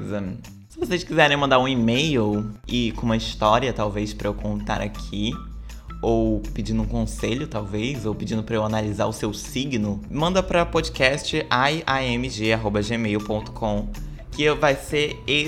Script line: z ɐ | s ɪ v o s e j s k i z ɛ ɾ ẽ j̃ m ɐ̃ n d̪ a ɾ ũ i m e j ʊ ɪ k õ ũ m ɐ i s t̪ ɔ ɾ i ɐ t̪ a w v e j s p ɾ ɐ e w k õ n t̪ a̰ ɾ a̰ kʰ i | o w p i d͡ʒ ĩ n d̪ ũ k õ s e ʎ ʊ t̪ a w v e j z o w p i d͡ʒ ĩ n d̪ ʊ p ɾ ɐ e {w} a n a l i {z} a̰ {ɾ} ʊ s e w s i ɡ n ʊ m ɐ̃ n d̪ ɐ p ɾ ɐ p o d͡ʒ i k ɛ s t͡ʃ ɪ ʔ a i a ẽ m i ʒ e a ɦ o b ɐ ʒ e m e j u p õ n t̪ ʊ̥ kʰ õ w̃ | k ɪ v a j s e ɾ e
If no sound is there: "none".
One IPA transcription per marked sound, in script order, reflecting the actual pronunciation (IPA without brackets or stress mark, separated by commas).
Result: w, z, ɾ